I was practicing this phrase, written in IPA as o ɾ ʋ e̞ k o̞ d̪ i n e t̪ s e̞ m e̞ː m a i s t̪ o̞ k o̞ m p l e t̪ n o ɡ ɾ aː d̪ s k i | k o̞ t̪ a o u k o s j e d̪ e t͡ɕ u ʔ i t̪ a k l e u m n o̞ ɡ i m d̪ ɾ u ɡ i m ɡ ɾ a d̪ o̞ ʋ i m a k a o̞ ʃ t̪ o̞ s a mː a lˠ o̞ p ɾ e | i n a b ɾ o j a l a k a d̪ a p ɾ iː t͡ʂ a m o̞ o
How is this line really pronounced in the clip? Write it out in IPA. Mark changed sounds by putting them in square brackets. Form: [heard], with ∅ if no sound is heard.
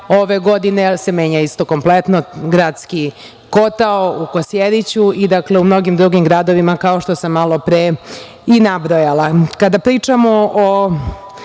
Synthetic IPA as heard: o [∅] ʋ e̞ [ɡ] o̞ d̪ i n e [∅] s e̞ m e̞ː [ɲ] a i s t̪ o̞ k o̞ m p l e t̪ n o ɡ ɾ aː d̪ s k i | k o̞ t̪ a o u k o s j e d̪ [i] t͡ɕ u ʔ i [d̪] a k l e u m n o̞ ɡ i m d̪ ɾ u ɡ i m ɡ ɾ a d̪ o̞ ʋ i m a k a o̞ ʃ t̪ o̞ s a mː a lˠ o̞ p ɾ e | i n a b ɾ o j a l a k a d̪ a p ɾ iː t͡ʂ a m o̞ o